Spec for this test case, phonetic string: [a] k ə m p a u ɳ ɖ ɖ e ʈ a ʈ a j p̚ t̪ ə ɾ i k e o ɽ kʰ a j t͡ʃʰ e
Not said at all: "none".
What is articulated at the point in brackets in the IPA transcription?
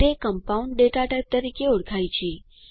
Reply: e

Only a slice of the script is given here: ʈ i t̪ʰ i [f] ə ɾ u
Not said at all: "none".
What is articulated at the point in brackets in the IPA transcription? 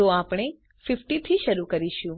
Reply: ʃ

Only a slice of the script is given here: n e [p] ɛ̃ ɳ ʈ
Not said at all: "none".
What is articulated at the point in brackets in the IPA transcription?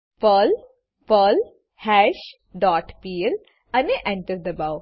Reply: ʔ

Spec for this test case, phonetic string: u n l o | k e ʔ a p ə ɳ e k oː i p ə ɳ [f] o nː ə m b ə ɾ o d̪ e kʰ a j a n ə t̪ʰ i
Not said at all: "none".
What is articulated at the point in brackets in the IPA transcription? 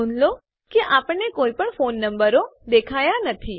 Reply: f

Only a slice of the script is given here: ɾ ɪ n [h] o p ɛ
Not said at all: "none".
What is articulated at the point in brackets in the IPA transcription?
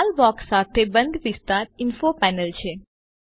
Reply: f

